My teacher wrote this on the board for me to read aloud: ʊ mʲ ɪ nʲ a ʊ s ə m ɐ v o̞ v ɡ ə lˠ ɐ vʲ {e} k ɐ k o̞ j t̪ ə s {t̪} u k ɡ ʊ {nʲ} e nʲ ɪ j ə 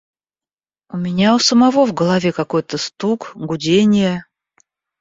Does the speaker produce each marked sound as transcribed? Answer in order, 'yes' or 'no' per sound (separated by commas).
yes, yes, no